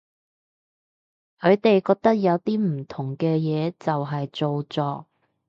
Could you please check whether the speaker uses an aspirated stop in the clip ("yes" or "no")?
yes